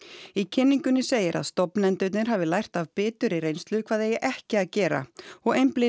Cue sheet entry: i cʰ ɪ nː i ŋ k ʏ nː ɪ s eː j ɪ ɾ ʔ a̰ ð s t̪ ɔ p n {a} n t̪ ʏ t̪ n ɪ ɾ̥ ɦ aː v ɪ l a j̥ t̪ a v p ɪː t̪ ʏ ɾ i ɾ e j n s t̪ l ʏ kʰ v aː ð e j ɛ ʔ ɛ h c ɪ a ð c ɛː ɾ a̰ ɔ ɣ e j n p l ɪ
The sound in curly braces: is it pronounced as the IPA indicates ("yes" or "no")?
no